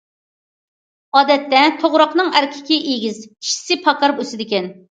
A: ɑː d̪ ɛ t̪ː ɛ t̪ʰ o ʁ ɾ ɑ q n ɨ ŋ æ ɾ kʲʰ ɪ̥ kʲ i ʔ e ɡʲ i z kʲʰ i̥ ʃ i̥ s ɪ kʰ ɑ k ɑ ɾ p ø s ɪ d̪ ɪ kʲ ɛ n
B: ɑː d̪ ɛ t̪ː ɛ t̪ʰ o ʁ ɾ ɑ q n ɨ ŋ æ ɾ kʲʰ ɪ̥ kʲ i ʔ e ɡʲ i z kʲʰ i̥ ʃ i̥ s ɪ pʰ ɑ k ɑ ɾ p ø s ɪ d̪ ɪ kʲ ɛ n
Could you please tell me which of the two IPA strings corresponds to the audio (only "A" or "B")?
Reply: B